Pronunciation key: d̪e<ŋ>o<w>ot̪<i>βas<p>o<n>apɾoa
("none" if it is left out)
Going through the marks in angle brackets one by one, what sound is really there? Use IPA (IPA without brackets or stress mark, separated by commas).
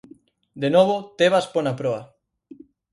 n, β, e, p, n